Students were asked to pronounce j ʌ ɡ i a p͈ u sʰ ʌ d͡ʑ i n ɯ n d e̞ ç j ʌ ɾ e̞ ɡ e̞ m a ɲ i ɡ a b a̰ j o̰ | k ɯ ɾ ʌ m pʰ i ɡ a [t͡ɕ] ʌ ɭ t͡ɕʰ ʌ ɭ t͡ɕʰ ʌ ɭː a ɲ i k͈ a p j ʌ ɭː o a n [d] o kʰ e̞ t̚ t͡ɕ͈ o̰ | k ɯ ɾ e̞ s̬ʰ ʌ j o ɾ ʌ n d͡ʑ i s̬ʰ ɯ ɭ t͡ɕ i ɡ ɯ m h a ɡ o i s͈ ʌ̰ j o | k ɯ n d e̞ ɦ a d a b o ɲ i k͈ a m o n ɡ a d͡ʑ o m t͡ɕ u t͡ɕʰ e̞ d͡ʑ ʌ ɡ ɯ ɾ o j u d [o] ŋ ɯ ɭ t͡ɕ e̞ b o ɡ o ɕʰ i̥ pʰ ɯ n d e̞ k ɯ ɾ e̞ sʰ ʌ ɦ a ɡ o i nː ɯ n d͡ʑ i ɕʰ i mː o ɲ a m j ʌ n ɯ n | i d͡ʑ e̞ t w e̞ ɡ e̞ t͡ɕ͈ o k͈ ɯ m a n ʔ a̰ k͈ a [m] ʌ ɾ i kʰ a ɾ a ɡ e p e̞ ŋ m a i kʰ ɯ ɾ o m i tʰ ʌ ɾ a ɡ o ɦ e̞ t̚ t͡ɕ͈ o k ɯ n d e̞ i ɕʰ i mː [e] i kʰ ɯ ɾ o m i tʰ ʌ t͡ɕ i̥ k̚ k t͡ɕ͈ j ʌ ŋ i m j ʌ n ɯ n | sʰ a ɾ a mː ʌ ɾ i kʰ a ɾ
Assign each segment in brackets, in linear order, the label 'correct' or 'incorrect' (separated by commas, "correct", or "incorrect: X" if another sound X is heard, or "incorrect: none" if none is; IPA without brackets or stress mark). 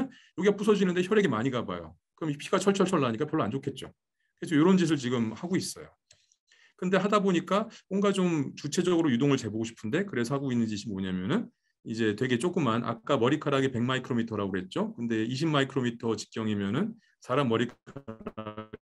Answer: incorrect: t͡ɕʰ, incorrect: d͡ʑ, correct, correct, incorrect: a